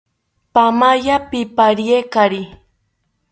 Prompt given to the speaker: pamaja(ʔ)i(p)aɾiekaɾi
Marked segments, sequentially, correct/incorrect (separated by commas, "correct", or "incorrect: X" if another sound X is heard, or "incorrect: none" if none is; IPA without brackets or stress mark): incorrect: p, correct